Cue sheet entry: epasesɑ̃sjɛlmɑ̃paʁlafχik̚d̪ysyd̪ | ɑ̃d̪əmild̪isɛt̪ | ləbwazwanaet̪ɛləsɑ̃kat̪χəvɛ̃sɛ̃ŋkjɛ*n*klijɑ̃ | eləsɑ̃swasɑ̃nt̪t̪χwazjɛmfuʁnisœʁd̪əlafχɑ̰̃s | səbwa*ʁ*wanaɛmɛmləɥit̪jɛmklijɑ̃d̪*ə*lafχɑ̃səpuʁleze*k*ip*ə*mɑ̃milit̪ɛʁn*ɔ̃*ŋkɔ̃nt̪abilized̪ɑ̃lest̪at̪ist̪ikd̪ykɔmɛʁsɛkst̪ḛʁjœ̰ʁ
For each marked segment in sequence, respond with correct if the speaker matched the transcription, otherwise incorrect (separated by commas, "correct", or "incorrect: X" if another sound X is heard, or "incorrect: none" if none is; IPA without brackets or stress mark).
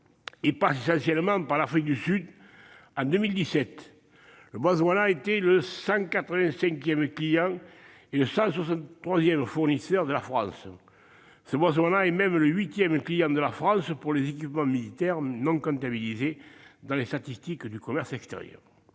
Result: incorrect: m, incorrect: z, correct, correct, correct, correct